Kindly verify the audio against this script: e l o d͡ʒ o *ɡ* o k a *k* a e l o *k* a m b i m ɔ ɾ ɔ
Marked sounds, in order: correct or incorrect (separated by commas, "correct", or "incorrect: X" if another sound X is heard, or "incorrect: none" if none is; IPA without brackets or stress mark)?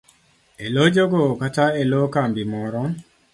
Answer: correct, incorrect: t, correct